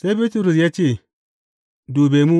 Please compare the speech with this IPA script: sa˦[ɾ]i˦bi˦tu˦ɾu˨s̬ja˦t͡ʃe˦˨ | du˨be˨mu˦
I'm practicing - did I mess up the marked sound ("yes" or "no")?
yes